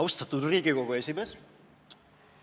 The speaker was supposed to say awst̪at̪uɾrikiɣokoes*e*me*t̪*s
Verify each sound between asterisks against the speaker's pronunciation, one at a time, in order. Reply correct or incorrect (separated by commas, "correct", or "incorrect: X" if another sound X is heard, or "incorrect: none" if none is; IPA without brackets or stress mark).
incorrect: i, incorrect: none